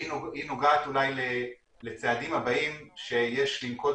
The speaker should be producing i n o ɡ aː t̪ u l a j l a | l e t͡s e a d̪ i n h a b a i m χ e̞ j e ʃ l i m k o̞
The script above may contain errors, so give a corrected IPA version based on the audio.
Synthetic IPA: i n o ɡ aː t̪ u l a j l e | l e t͡s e a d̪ i m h a b a i m ʃ e̞ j e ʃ l i m k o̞